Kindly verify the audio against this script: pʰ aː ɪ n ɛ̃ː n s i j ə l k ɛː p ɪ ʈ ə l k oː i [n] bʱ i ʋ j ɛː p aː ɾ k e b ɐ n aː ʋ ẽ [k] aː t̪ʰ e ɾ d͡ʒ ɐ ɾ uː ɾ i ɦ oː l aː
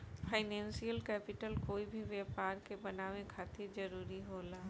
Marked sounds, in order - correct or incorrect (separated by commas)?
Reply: incorrect, incorrect